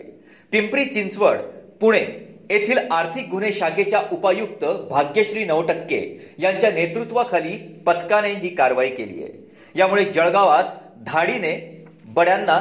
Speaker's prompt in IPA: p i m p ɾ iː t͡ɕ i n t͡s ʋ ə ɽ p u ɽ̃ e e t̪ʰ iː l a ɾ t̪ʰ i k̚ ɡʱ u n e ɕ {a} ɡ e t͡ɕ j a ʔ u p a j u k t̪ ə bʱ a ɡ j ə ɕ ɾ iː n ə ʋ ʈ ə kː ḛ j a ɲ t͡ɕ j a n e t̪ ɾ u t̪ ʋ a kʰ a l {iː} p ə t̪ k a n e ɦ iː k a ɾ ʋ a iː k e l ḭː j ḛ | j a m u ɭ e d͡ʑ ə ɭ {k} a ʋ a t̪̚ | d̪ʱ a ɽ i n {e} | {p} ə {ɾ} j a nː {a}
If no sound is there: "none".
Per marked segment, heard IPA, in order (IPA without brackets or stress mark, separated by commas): a, iː, ɡ, e, b, ɽ, a